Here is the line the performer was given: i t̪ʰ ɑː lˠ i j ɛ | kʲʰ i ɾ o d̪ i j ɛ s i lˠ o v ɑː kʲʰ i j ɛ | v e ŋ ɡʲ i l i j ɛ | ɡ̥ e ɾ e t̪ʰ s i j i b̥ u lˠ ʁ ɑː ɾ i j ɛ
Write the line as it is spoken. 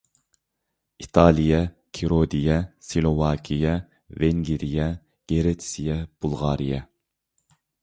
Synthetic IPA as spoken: i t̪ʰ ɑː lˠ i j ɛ | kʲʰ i ɾ o d̪ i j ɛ s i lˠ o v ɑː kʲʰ i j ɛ | v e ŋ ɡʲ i ɾ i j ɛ | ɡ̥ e ɾ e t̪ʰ s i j ɛ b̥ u lˠ ʁ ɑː ɾ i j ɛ

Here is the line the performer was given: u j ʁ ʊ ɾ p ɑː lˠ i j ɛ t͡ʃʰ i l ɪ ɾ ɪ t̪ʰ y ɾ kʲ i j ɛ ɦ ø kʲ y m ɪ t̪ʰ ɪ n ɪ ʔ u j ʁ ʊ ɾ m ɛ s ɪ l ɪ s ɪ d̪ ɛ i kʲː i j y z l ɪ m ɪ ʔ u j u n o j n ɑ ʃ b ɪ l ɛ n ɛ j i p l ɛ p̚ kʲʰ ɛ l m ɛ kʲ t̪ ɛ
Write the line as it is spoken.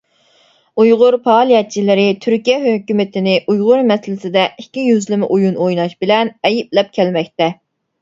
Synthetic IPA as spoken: u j ʁ ʊ ɾ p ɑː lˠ i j ɛ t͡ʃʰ i l ɪ ɾ ɪ t̪ʰ y ɾ kʲ i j ɛ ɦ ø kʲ y m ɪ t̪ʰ ɪ n ɪ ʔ u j ʁ ʊ ɾ m ɛ s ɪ l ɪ s ɪ d̪ ɛ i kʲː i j y z l ɪ m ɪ ʔ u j u n o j n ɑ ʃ b ɪ l ɛ n ɛ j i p l ɛ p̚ kʲʰ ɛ l m ɛ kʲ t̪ ɛ

